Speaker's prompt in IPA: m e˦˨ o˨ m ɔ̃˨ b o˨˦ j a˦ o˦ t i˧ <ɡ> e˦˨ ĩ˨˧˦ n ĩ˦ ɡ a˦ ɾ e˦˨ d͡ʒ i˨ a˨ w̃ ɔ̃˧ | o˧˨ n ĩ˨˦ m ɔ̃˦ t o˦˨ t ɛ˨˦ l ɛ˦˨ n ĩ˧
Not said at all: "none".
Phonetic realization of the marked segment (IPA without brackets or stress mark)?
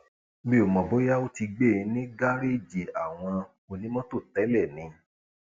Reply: ɡ͡b